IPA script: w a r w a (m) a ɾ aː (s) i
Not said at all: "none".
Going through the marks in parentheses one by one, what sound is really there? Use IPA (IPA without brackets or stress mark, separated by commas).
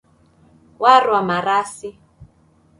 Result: m, s